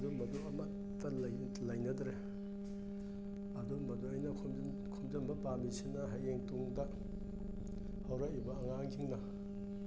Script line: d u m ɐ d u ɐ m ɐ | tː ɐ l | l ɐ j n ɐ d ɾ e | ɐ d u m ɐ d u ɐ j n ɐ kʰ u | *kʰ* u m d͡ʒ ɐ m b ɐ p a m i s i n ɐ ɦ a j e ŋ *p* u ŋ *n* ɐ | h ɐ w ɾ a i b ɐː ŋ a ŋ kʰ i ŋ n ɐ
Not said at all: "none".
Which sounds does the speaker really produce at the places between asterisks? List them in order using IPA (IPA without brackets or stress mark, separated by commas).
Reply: kʰ, t, d